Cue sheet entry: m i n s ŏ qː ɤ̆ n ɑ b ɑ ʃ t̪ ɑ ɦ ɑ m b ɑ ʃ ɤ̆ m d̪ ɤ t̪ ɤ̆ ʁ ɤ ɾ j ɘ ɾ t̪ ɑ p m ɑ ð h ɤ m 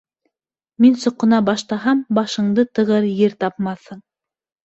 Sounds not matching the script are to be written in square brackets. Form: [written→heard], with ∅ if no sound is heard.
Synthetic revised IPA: m i n s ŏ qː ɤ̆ n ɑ b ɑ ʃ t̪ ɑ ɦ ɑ m b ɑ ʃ ɤ̆ [m→ɴ] d̪ ɤ t̪ ɤ̆ ʁ ɤ ɾ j ɘ ɾ t̪ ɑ p m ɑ [ð→θ] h ɤ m